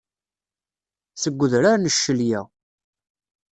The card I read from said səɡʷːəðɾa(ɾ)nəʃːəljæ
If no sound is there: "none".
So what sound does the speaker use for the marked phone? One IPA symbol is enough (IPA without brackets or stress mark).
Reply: ɾ